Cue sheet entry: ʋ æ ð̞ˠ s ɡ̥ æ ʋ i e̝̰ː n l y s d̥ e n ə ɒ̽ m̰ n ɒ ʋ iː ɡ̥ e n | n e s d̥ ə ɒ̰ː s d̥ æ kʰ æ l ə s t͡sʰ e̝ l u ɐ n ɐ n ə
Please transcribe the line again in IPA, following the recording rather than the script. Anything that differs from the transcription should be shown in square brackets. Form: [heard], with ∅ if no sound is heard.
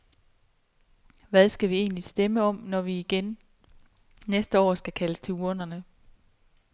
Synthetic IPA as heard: ʋ æ ð̞ˠ s ɡ̥ æ ʋ i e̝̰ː n l [i] s d̥ e [m] ə ɒ̽ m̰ n ɒ ʋ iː ɡ̥ e n | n e s d̥ ə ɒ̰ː s [ɡ̥] æ kʰ æ l ə s t͡sʰ e̝ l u ɐ n ɐ n ə